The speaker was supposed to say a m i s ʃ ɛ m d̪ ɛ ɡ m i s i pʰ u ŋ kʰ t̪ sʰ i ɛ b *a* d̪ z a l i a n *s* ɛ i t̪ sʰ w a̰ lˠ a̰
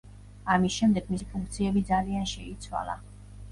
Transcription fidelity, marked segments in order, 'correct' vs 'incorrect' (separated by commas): incorrect, incorrect